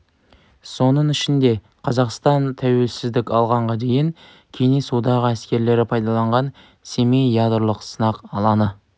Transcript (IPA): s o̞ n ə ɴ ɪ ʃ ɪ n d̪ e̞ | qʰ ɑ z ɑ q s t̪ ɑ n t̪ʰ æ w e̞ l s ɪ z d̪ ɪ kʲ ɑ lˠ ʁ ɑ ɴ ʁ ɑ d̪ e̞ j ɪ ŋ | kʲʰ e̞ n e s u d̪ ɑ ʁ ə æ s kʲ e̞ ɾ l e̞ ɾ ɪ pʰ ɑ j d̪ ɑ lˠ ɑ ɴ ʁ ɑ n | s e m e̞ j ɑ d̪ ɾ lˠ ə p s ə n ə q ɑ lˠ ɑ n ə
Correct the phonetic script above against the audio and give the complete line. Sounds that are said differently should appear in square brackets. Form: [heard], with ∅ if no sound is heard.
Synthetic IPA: s o̞ n ə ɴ ɪ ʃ ɪ n d̪ e̞ | qʰ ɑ z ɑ q s t̪ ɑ n t̪ʰ æ w e̞ l s ɪ z d̪ ɪ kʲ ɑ lˠ ʁ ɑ ɴ ʁ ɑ d̪ e̞ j ɪ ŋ | kʲʰ e̞ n e s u d̪ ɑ ʁ ə æ s kʲ e̞ ɾ l e̞ ɾ ɪ pʰ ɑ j d̪ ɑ lˠ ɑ ɴ ʁ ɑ n | s e m e̞ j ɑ d̪ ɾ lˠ ə [q] s ə n [ɑ] q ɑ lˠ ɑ n ə